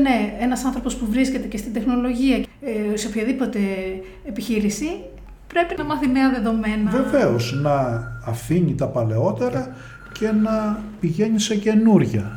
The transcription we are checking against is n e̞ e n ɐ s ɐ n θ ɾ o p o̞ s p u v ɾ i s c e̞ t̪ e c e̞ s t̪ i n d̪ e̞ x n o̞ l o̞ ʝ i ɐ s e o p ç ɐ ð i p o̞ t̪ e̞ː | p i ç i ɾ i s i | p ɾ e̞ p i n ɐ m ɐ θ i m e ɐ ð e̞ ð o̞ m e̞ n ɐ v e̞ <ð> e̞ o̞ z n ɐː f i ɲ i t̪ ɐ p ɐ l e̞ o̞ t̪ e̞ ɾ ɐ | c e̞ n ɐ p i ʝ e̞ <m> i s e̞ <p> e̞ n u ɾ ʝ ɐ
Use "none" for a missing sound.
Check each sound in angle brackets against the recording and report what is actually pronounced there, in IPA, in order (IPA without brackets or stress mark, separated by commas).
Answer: v, ɲ, c